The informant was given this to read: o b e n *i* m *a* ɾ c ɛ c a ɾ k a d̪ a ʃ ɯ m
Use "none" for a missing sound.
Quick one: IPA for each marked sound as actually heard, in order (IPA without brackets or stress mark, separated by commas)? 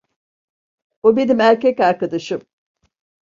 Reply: i, æ